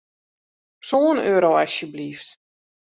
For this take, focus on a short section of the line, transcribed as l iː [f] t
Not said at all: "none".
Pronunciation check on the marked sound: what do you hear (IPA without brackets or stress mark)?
f